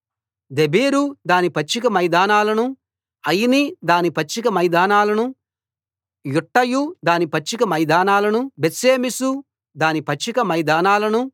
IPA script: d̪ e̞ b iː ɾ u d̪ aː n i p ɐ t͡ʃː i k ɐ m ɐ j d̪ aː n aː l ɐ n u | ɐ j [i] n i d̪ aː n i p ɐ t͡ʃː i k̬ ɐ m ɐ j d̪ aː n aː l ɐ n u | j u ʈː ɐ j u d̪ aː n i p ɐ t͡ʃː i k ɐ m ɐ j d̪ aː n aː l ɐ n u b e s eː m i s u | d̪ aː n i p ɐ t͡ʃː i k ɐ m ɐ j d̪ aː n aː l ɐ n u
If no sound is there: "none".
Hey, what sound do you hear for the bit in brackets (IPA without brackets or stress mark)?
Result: i